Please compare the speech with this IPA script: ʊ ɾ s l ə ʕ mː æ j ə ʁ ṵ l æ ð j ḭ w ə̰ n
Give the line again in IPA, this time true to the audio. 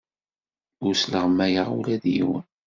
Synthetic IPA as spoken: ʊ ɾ s l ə ʁ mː æ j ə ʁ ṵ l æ ð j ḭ w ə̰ n